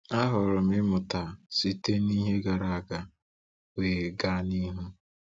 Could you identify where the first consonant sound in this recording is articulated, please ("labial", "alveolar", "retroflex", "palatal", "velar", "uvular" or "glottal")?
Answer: glottal